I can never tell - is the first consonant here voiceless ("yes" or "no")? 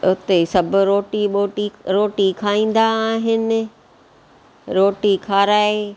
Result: yes